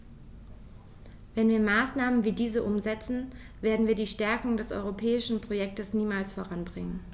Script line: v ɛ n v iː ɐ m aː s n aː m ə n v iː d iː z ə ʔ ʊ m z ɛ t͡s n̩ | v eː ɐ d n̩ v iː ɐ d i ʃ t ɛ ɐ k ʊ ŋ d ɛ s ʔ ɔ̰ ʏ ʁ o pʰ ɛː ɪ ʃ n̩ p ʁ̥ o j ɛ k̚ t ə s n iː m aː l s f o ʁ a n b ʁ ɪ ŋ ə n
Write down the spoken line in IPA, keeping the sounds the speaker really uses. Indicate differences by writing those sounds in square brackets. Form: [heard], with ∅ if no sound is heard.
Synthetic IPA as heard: v ɛ n v iː ɐ m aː s n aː m ə n v iː d iː z ə ʔ ʊ m z ɛ t͡s n̩ | v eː ɐ d n̩ v iː ɐ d [iː] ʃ t ɛ ɐ k ʊ ŋ d ɛ s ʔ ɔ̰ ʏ ʁ o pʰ ɛː ɪ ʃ n̩ p ʁ̥ o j ɛ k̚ t ə s n iː m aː l s f o ʁ a n b ʁ ɪ ŋ ə n